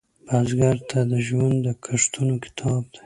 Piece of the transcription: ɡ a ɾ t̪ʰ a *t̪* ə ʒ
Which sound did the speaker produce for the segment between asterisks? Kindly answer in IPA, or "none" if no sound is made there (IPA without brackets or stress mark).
d̪